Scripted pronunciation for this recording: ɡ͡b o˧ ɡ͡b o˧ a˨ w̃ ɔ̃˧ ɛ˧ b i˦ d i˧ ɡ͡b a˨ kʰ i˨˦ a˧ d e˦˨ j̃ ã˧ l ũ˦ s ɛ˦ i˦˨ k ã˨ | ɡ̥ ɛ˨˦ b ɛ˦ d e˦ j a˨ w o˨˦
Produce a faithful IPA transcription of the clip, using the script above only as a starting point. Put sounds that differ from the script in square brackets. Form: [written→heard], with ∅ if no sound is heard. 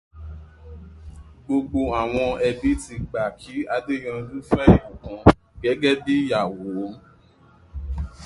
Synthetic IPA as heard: ɡ͡b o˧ ɡ͡b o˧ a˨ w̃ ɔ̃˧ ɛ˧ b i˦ [d→t] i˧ ɡ͡b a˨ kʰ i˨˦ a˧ d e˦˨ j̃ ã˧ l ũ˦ [s→f] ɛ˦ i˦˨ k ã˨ | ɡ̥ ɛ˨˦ [b→ɡ] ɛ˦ d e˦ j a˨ w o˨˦